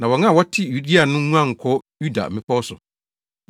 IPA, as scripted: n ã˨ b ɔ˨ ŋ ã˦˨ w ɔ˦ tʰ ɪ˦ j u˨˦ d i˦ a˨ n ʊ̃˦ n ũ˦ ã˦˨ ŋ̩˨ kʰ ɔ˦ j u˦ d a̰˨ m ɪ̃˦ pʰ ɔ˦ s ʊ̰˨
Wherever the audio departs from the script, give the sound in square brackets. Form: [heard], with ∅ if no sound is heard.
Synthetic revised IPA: n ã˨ [w] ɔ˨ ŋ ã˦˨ w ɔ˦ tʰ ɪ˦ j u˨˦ d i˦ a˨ n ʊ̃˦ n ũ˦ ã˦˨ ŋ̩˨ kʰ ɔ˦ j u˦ d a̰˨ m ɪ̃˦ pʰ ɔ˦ s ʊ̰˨